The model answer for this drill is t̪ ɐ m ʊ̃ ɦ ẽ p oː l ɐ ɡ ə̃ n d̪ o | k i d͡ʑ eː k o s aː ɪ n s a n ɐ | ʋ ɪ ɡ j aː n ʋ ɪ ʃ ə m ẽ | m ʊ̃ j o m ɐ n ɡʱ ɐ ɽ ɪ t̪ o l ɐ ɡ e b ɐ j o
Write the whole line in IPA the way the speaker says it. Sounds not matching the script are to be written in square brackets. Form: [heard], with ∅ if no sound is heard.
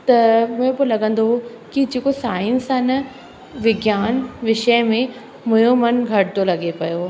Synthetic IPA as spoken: t̪ ɐ m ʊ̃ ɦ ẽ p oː l ɐ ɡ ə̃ n d̪ o | k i d͡ʑ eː k o s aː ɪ n s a n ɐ | ʋ ɪ ɡ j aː n ʋ ɪ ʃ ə m ẽ | m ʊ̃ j o m ɐ n ɡʱ ɐ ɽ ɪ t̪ o l ɐ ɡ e [p] ɐ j o

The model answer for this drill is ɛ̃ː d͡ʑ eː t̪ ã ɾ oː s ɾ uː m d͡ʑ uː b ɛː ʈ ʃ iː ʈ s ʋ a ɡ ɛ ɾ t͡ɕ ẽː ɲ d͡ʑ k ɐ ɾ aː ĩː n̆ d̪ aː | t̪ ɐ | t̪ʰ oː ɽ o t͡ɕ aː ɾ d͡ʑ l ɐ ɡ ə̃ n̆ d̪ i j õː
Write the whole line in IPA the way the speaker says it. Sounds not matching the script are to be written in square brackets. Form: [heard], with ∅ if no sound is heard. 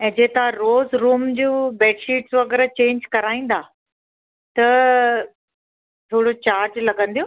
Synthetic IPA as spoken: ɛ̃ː d͡ʑ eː t̪ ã ɾ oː [z] ɾ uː m d͡ʑ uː b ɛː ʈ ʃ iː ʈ s ʋ [ɐ] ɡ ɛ ɾ t͡ɕ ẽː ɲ d͡ʑ k ɐ ɾ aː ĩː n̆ d̪ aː | t̪ ɐ | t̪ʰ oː ɽ o t͡ɕ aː ɾ d͡ʑ l ɐ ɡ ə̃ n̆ d̪ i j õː

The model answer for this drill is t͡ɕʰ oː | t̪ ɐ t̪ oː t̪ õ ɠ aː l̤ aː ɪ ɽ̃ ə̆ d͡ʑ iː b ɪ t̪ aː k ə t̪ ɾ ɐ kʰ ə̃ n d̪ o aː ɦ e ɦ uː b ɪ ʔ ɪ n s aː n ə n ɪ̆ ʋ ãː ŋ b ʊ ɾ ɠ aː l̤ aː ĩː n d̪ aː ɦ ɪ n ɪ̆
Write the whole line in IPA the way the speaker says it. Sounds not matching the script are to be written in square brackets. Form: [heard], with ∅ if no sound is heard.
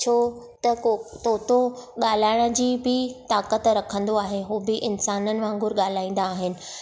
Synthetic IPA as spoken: t͡ɕʰ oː | t̪ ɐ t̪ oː t̪ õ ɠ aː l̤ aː ɪ ɽ̃ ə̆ d͡ʑ iː b ɪ t̪ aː k ə t̪ ɾ ɐ kʰ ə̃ n d̪ o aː ɦ e ɦ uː b ɪ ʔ ɪ n s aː n ə n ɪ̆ ʋ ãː ŋ [ɡ] ʊ ɾ ɠ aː l̤ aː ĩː n d̪ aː ɦ ɪ n ɪ̆

